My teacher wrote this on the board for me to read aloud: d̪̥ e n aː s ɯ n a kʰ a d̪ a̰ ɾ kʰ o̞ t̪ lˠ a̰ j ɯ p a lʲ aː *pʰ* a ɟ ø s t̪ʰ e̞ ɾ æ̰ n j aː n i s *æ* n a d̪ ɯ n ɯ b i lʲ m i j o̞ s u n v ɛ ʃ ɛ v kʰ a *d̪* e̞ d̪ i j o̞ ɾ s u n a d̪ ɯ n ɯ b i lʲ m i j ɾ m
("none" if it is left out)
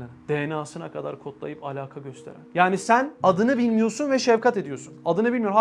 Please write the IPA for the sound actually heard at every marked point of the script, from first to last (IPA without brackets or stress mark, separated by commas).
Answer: kʰ, æ, t̪